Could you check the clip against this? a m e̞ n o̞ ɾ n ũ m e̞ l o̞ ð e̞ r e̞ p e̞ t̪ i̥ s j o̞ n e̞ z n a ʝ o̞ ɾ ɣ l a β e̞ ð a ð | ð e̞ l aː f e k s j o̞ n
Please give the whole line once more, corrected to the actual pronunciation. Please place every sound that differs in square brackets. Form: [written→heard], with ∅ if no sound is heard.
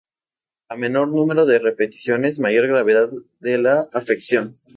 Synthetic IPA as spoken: a m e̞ n o̞ ɾ n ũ m e̞ [l→ɾ] o̞ ð e̞ r e̞ p e̞ t̪ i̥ s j o̞ n e̞ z [n→m] a ʝ o̞ ɾ ɣ [l→ɾ] a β e̞ ð a ð | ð e̞ l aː f e k s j o̞ n